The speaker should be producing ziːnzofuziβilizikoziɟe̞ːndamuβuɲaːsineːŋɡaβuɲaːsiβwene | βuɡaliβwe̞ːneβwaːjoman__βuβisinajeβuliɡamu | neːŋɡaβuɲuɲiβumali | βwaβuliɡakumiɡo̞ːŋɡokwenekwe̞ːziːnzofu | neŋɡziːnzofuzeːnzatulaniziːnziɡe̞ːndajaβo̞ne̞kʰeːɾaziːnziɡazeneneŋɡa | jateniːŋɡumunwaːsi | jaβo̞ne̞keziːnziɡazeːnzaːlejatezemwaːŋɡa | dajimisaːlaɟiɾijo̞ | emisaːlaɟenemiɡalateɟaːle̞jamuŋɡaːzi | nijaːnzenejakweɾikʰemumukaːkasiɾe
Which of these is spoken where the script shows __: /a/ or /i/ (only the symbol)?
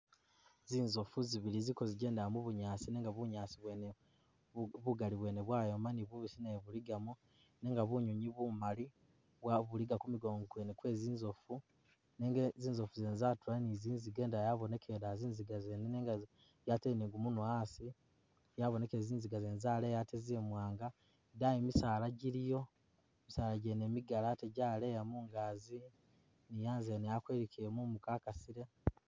i